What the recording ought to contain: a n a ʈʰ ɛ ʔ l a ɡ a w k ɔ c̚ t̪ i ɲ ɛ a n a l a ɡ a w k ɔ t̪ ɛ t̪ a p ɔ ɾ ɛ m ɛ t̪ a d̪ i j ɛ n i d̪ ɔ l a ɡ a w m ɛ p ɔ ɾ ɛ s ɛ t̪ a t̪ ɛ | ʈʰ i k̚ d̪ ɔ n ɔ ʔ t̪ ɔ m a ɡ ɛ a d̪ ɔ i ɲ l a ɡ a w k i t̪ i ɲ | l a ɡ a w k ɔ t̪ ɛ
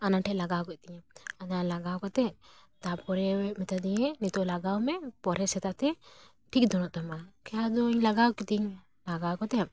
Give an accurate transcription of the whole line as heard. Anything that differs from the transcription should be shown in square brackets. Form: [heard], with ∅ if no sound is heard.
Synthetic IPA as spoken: a n a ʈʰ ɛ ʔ l a ɡ a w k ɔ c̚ t̪ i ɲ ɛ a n a l a ɡ a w k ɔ t̪ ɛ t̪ a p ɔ ɾ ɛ m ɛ t̪ a d̪ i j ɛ n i [t̪] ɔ l a ɡ a w m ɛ p ɔ ɾ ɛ s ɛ t̪ a t̪ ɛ | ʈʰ i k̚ d̪ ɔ n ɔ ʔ t̪ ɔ m a [k] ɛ a d̪ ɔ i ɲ l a ɡ a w k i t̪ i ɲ | l a ɡ a w k ɔ t̪ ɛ

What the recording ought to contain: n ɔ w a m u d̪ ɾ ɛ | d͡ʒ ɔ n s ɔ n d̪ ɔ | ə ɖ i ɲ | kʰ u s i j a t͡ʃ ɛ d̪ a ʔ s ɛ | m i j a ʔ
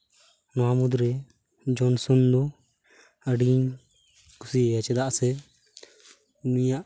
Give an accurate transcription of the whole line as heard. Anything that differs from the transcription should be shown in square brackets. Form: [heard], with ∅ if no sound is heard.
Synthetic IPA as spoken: n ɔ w a m u d̪ ɾ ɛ | d͡ʒ ɔ n s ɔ n d̪ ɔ | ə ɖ i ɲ | [k] u s i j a t͡ʃ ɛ d̪ a ʔ s ɛ | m i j a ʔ

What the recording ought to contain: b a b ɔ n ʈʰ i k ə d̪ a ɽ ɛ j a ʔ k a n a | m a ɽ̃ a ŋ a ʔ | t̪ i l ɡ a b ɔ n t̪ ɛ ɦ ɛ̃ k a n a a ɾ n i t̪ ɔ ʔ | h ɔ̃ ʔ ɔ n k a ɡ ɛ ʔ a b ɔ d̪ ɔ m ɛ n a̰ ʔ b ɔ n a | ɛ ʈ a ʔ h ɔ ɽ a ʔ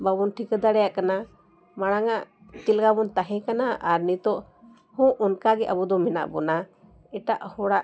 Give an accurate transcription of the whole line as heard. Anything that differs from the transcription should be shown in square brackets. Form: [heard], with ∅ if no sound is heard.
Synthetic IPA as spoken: b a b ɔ n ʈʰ i k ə d̪ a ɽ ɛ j a ʔ k a n a | m a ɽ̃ a ŋ a ʔ | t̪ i l ɡ a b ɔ n t̪ [a] ɦ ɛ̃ k a n a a ɾ n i t̪ ɔ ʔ | h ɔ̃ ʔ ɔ n k a ɡ ɛ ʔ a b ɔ d̪ ɔ m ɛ n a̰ ʔ b ɔ n a | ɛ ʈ a ʔ h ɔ ɽ a ʔ

